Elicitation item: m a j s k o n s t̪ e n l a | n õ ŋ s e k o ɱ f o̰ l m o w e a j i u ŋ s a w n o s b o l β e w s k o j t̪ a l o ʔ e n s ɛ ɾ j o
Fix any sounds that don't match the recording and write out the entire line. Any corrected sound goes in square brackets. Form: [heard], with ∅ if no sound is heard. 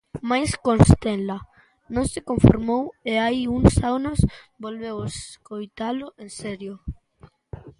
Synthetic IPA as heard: m a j s k o n s t̪ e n l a | n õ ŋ s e k o ɱ f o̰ [ɾ] m o w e a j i u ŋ s a w n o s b o l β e w s k o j t̪ a l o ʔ e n s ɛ ɾ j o